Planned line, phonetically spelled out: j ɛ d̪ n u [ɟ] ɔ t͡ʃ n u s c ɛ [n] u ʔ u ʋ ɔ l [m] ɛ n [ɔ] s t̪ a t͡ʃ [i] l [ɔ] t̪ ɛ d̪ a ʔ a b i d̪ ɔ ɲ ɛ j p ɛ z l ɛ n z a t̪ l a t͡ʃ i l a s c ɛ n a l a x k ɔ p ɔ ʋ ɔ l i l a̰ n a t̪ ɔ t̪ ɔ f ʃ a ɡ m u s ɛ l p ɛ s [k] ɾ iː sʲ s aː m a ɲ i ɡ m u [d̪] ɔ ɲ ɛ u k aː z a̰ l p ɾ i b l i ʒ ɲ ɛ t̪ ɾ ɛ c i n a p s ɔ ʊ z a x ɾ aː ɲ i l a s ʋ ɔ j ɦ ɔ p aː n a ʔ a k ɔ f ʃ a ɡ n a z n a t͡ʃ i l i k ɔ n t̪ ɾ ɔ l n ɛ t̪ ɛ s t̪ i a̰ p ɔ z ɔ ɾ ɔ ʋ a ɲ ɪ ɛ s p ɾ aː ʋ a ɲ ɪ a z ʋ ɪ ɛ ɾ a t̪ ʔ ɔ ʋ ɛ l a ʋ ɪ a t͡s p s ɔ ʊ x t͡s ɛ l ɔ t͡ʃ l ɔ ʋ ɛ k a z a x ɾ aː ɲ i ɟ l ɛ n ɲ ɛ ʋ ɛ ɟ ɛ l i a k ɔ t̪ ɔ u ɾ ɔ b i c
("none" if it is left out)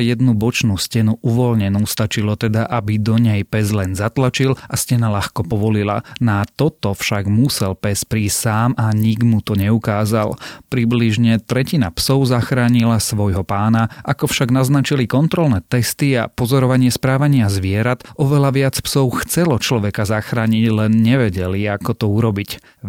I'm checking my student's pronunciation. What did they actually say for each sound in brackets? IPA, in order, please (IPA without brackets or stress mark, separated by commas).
b, n, ɲ, u, i, ɔ, p, t̪